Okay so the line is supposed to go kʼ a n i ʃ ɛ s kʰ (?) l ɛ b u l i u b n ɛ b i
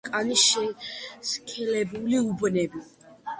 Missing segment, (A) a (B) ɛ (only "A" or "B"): B